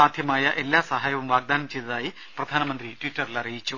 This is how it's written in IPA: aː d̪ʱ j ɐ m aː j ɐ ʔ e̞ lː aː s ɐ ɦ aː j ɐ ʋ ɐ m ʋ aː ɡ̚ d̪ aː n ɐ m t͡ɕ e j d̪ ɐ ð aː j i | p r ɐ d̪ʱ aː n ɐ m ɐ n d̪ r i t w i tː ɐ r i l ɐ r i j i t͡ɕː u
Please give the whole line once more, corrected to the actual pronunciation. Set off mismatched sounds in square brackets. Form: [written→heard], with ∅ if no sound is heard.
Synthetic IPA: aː d̪ʱ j ɐ m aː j ɐ ʔ e̞ lː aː s ɐ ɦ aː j ɐ ʋ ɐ m ʋ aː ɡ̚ d̪ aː n ɐ m t͡ɕ e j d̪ ɐ ð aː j i | p r ɐ d̪ʱ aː n ɐ m ɐ n d̪ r i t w i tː ɐ r i l ɐ r i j i t͡ɕː u

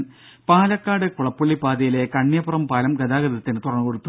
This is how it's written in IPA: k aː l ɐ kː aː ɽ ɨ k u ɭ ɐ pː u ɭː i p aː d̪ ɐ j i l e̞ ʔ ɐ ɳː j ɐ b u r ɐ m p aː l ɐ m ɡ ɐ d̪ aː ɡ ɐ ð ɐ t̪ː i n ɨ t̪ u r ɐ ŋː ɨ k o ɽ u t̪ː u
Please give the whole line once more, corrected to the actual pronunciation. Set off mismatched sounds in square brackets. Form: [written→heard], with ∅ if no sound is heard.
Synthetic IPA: [k→p] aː l ɐ kː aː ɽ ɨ k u ɭ ɐ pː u ɭː i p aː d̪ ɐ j i l e̞ [ʔ→k] ɐ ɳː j ɐ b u r ɐ m p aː l ɐ m ɡ ɐ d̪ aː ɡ ɐ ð ɐ t̪ː i n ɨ t̪ u r ɐ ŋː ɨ k o ɽ u t̪ː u

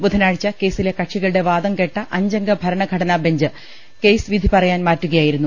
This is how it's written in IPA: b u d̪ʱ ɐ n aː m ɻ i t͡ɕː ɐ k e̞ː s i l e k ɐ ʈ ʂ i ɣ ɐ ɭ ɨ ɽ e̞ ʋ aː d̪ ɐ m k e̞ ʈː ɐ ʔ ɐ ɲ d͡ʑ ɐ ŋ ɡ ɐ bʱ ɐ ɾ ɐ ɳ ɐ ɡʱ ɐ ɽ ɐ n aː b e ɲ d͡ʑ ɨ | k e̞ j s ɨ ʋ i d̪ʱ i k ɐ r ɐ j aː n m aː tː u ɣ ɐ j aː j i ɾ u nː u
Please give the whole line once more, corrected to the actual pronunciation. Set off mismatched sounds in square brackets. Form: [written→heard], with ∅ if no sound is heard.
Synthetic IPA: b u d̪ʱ ɐ n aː [m→∅] ɻ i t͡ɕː ɐ k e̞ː s i l e k ɐ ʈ ʂ i ɣ ɐ ɭ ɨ ɽ e̞ ʋ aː d̪ ɐ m k e̞ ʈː ɐ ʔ ɐ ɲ d͡ʑ ɐ ŋ ɡ ɐ bʱ ɐ ɾ ɐ ɳ ɐ ɡʱ ɐ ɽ ɐ n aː b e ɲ d͡ʑ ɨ | k e̞ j s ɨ ʋ i d̪ʱ i [k→p] ɐ r ɐ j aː n m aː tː u ɣ ɐ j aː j i ɾ u nː u

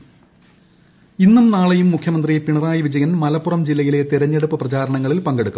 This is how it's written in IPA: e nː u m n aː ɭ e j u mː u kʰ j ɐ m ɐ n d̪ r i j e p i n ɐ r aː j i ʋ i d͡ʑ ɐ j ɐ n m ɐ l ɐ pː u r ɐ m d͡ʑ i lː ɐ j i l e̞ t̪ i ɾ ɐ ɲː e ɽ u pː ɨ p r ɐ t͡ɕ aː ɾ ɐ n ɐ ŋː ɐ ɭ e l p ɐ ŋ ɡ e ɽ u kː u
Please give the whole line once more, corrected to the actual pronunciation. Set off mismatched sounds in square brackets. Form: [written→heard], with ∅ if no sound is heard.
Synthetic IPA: [e→i] nː u m n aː ɭ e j u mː u kʰ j ɐ m ɐ n d̪ r i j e p i [n→ɳ] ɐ r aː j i ʋ i d͡ʑ ɐ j ɐ n m ɐ l ɐ pː u r ɐ m d͡ʑ i lː ɐ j i l e̞ t̪ i ɾ ɐ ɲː e ɽ u pː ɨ p r ɐ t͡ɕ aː ɾ ɐ [n→ɳ] ɐ ŋː ɐ ɭ [e→i] l p ɐ ŋ ɡ e ɽ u kː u

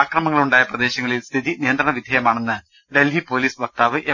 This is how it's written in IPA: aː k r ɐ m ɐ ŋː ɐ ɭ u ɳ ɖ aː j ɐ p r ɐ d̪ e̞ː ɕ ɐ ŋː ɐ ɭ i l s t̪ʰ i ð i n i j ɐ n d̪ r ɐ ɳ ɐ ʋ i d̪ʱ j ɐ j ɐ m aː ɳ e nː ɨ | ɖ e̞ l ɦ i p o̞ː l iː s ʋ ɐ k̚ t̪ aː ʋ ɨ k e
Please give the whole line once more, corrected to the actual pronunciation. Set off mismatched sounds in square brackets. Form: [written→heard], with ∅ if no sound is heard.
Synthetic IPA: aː k r ɐ m ɐ ŋː ɐ ɭ u ɳ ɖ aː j ɐ p r ɐ d̪ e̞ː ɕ ɐ ŋː ɐ ɭ i l s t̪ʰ i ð i n i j ɐ n d̪ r ɐ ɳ ɐ ʋ i d̪ʱ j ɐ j ɐ m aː ɳ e nː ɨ | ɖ e̞ l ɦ i p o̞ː l iː s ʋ ɐ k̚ t̪ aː ʋ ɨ [k→ʔ] e

